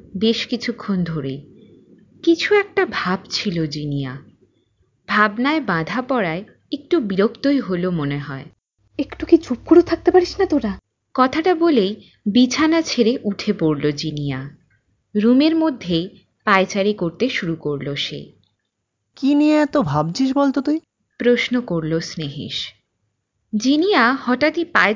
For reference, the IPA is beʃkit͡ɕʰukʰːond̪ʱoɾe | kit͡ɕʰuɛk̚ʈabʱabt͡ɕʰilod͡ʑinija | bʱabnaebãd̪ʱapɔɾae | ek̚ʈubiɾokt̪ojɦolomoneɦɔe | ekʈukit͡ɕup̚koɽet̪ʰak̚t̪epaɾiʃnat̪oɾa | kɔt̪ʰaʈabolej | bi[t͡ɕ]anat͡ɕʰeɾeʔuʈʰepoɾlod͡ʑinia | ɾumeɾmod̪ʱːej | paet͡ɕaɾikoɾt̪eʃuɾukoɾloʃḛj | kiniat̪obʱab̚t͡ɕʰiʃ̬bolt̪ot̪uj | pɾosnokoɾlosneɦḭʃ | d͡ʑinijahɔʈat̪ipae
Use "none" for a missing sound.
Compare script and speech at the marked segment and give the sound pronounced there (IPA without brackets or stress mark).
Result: t͡ɕʰ